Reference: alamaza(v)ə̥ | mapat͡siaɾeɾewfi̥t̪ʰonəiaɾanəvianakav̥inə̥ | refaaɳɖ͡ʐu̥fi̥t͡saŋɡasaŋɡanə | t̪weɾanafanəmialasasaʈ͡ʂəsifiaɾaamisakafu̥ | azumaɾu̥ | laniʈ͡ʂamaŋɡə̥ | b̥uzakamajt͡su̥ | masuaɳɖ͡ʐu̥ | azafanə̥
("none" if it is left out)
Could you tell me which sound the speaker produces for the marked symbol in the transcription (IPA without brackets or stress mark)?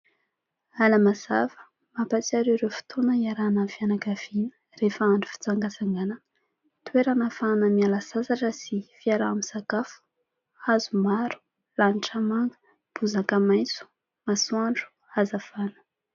v